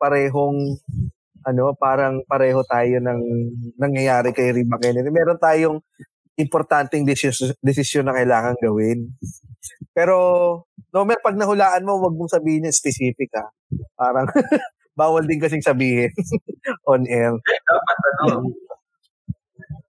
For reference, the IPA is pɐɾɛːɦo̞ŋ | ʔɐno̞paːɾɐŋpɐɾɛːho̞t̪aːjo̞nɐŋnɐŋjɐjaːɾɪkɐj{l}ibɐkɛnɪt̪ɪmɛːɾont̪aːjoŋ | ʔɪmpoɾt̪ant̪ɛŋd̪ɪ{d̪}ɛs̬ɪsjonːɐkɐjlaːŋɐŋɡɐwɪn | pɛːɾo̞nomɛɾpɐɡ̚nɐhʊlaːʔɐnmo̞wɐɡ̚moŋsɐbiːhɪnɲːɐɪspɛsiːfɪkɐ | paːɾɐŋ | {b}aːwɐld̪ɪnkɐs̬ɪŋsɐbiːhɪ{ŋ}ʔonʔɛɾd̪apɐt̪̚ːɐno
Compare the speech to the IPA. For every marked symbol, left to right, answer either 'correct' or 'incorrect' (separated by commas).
incorrect, correct, correct, incorrect